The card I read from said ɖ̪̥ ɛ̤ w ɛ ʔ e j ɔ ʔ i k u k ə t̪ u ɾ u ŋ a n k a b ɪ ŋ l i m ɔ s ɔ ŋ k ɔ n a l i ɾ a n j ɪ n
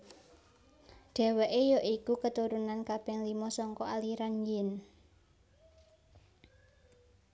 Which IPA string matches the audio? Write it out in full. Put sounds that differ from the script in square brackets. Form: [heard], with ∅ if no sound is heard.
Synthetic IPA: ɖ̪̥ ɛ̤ w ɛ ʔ e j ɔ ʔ i k u k ə t̪ u ɾ u [n] a n k a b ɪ ŋ l i m ɔ s ɔ ŋ k ɔ [∅] a l i ɾ a n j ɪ n